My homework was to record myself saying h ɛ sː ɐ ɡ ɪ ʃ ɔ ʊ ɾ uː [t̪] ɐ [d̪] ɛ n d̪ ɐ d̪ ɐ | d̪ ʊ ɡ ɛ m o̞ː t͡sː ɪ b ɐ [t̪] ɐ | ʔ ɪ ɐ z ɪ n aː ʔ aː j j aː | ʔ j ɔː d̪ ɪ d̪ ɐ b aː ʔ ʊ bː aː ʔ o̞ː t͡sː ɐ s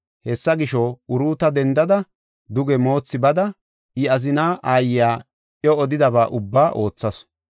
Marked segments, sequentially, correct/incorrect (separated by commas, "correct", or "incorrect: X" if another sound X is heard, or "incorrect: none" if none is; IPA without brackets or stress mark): correct, correct, incorrect: d̪